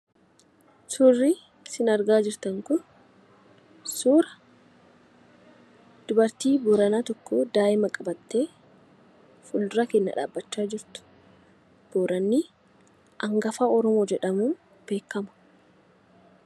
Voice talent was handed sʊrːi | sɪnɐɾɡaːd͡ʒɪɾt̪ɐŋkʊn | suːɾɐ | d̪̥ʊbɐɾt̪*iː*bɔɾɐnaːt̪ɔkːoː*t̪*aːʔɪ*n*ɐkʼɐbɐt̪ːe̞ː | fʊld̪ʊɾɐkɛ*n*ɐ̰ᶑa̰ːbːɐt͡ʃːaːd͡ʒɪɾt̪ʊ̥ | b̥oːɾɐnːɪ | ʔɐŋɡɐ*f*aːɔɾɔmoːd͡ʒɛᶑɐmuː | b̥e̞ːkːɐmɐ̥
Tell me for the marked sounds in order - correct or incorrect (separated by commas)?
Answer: correct, incorrect, incorrect, incorrect, correct